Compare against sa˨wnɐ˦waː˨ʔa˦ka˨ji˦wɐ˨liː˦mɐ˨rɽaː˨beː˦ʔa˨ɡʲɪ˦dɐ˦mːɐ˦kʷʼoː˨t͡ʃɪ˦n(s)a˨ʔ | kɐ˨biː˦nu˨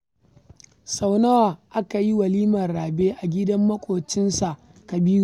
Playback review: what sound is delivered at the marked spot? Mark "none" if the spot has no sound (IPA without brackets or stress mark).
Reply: s